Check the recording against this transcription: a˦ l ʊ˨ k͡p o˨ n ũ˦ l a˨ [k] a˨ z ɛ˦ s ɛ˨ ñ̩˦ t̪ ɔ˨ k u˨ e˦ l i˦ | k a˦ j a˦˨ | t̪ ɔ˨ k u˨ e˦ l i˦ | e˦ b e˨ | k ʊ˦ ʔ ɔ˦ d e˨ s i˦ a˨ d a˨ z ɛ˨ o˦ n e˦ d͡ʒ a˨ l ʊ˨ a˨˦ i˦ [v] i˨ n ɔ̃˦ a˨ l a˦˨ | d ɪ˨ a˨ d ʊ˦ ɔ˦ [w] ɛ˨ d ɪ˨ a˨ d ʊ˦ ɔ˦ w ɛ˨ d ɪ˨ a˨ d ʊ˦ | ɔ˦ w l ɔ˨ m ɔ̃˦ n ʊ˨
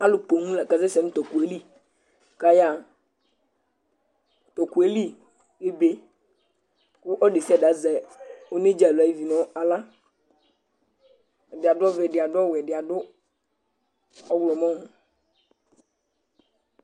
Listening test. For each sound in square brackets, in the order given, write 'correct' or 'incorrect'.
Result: correct, correct, incorrect: v

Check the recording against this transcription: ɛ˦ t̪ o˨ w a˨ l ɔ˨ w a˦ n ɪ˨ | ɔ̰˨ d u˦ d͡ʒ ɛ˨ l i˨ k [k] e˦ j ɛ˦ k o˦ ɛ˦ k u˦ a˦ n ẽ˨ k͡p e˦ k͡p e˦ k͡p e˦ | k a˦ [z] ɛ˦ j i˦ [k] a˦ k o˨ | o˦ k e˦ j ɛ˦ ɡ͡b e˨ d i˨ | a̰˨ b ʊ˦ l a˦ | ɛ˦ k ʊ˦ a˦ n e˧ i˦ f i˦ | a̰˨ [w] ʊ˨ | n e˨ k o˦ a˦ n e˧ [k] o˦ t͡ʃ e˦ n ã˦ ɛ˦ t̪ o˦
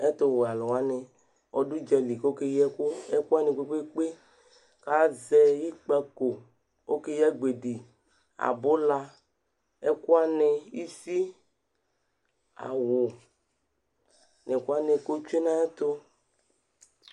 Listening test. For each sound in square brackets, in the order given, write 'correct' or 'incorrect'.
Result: correct, correct, incorrect: k͡p, correct, correct

